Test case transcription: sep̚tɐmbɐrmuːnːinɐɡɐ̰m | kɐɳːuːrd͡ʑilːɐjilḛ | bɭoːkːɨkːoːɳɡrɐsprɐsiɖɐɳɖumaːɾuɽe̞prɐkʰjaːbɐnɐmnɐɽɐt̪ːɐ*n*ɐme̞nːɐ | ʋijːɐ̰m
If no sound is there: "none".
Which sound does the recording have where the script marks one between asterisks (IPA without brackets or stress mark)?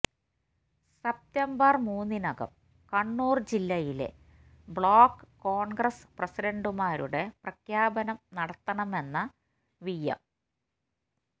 ɳ